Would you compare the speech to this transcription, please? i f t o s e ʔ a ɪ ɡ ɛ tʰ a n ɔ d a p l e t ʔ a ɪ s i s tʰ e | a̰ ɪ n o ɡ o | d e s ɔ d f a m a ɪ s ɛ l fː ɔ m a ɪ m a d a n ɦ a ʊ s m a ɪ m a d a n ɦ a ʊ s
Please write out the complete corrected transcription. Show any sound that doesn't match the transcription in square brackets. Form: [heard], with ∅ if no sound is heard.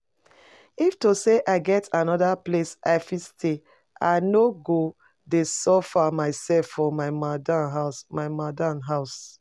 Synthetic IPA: i f t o s e ʔ a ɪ ɡ ɛ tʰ a n ɔ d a p l e [s] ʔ a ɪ [f] i s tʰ e | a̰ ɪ n o ɡ o | d e s ɔ [∅] f a m a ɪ s ɛ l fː ɔ m a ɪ m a d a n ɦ a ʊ s m a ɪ m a d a n ɦ a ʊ s

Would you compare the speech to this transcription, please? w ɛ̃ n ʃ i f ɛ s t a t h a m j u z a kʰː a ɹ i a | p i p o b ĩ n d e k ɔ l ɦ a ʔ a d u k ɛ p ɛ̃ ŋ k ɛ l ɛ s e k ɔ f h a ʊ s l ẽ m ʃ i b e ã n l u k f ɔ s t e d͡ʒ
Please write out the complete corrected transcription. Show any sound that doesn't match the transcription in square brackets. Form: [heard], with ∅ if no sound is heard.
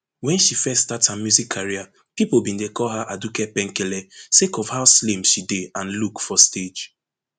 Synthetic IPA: w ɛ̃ n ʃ i f ɛ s t a t h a m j u z [i] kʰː a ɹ i a | p i p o b ĩ n d e k ɔ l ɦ a ʔ a d u k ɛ p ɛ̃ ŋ k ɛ l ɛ s e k ɔ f h a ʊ s l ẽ m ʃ i [d] e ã n l u k f ɔ s t e d͡ʒ

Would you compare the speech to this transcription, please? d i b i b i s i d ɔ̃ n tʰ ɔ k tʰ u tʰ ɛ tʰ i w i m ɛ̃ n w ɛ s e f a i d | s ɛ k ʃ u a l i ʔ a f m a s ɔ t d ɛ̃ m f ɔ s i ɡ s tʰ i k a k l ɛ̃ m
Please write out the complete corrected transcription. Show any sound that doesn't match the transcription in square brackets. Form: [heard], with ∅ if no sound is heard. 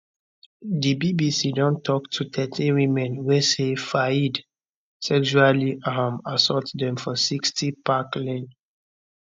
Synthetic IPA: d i b i b i s i d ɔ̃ n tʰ ɔ k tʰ u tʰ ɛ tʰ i w i m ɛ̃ n w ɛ s e f a i d | s ɛ k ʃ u a l i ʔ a [∅] m a s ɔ t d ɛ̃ m f ɔ s i [k] s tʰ i [p] a k l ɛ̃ [n]

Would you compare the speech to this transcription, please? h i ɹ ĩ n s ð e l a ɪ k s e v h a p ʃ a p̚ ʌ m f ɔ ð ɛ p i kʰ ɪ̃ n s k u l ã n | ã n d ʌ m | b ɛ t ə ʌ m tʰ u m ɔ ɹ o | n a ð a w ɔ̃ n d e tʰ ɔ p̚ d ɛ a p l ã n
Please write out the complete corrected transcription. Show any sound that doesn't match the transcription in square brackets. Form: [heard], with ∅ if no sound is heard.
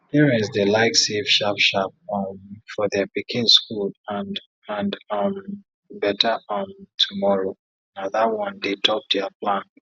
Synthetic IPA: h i ɹ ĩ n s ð e l a ɪ k s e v [ʃ] a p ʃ a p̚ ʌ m f ɔ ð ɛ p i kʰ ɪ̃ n s k u l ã n | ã n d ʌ m | b ɛ t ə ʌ m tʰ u m ɔ ɹ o | n a ð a w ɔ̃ n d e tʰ ɔ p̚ d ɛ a p l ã n

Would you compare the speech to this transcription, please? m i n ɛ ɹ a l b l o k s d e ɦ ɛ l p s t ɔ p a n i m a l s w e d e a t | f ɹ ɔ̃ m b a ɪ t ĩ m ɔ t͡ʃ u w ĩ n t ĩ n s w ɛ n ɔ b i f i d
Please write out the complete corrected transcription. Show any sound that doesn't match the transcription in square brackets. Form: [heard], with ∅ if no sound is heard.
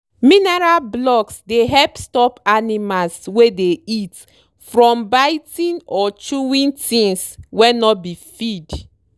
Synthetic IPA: m i n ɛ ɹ a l b l [ɔ] k s d e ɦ ɛ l p s t ɔ p a n i m a l s w e d e [i] t | f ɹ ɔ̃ m b a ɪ t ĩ [n] ɔ t͡ʃ u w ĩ n t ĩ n s w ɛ n ɔ b i f i d

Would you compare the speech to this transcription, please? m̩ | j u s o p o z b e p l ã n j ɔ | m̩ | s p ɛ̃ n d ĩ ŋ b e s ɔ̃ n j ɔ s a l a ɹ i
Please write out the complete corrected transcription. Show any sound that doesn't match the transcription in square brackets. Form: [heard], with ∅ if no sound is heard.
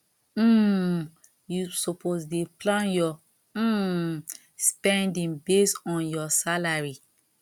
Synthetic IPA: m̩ | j u s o p o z [d] e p l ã n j ɔ | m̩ | s p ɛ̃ n d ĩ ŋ b e s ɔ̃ n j ɔ s a l a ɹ i

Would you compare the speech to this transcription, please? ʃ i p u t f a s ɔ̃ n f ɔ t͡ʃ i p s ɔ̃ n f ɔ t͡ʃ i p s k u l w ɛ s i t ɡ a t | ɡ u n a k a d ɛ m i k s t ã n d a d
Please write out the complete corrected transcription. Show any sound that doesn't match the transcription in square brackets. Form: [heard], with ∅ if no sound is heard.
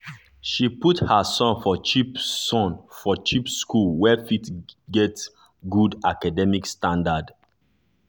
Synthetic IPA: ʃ i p u t [h] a s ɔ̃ n f ɔ t͡ʃ i p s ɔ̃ n f ɔ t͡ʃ i p s k u l w ɛ [f] i t ɡ [ɛ] t | ɡ u [d] a k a d ɛ m i k s t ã n d a d

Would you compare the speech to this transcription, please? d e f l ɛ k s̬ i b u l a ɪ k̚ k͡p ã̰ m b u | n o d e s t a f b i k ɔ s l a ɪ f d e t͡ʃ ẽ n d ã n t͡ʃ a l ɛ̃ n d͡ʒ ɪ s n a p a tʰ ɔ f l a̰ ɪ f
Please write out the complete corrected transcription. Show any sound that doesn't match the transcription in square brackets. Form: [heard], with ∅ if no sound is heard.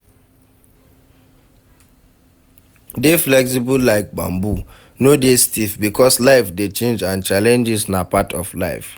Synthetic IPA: d e f l ɛ k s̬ i b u l a ɪ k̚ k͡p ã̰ m b u | n o d e s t [i] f b i k ɔ s l a ɪ f d e t͡ʃ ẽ n [d͡ʒ] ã n t͡ʃ a l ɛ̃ n d͡ʒ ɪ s n a p a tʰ ɔ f l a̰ ɪ f

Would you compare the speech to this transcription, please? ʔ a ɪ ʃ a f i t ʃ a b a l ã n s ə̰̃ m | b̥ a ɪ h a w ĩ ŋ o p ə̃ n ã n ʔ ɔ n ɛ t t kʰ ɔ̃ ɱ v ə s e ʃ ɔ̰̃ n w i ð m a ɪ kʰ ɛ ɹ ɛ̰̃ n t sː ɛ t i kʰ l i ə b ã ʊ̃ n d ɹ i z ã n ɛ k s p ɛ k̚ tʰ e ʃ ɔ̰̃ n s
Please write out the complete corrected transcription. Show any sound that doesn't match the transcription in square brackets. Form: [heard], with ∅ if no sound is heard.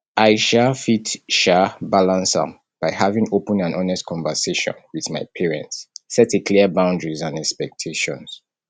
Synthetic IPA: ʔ a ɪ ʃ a f i t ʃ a b a l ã n s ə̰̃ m | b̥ a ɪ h a [v] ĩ ŋ o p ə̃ n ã n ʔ ɔ n ɛ [s] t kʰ ɔ̃ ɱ v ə s e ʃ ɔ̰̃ n w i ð m a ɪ [pʰ] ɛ ɹ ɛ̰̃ n t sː ɛ t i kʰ l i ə b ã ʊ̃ n d ɹ i z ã n ɛ k s p ɛ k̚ tʰ e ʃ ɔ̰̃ n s

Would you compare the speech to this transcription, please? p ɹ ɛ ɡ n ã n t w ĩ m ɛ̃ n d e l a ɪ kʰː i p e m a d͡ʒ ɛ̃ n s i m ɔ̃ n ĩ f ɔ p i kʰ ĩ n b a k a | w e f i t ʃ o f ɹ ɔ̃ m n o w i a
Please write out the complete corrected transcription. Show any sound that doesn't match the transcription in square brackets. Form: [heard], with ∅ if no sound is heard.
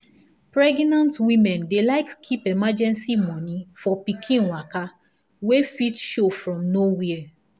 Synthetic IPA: p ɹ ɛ ɡ n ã n t w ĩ m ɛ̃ n d e l a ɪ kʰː i p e m a d͡ʒ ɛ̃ n s i m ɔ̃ n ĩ f ɔ p i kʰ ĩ n [w] a k a | w e f i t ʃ o f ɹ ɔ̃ m n o w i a

